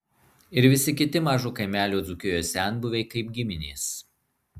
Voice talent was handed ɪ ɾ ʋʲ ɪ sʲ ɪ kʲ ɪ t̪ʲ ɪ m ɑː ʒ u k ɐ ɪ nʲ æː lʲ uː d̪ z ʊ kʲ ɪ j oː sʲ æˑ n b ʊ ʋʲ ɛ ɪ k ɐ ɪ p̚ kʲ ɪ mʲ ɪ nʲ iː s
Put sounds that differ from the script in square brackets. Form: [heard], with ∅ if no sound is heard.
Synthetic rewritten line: ɪ ɾ ʋʲ ɪ sʲ ɪ kʲ ɪ t̪ʲ ɪ m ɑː ʒ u k ɐ ɪ [mʲ] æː lʲ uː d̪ z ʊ kʲ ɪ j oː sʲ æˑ n b ʊ ʋʲ ɛ ɪ k ɐ ɪ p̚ [ɡʲ] ɪ mʲ ɪ nʲ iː s